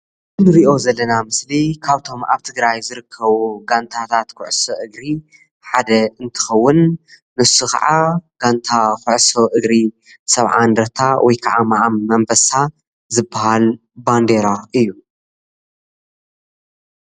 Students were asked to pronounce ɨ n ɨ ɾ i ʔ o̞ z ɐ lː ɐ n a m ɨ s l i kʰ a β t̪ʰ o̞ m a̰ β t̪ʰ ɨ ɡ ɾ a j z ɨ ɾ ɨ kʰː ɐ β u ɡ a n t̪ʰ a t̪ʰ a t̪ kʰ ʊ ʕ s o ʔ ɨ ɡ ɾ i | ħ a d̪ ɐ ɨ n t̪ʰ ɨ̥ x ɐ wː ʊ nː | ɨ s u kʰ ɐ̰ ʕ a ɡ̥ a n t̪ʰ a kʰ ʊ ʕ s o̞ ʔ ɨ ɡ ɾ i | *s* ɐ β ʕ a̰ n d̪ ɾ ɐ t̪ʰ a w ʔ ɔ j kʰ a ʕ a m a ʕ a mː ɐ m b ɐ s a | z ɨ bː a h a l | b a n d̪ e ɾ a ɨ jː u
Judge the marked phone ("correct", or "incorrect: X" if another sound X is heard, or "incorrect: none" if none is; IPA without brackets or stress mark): correct